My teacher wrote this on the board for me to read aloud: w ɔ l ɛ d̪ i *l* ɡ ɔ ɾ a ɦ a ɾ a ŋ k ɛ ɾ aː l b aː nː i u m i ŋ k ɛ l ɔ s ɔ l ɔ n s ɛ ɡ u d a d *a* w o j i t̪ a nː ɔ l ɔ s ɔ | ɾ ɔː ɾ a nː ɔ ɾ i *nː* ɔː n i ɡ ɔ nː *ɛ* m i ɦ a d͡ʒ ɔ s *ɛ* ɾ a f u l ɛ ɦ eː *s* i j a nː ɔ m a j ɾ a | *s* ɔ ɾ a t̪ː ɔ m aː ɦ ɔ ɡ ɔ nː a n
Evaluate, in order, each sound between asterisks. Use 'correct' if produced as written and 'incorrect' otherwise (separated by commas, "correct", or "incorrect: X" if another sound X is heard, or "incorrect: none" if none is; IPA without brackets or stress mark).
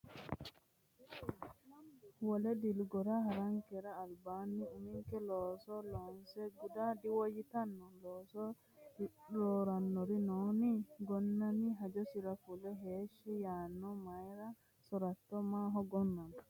correct, incorrect: i, incorrect: n, incorrect: a, incorrect: i, incorrect: ʃ, correct